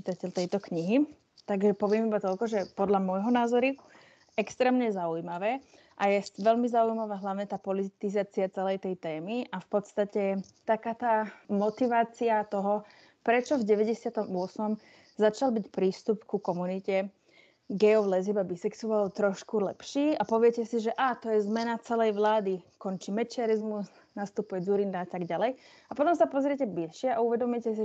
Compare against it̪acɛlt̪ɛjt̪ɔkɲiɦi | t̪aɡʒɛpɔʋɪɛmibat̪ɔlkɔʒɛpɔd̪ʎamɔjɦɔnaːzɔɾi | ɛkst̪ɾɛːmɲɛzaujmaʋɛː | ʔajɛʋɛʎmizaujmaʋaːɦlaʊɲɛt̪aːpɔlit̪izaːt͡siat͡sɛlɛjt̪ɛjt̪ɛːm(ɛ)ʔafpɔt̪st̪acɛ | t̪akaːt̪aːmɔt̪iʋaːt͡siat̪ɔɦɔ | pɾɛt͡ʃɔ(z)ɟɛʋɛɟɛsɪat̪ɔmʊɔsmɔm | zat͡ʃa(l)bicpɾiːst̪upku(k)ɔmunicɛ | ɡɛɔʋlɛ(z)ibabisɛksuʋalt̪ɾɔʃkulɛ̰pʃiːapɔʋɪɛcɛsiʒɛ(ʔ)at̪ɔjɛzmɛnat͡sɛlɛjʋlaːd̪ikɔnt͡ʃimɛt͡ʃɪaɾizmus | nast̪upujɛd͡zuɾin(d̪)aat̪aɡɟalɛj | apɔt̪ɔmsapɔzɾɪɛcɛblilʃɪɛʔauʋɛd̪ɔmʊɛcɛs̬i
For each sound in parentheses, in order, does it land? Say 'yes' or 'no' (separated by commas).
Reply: no, no, yes, yes, yes, yes, yes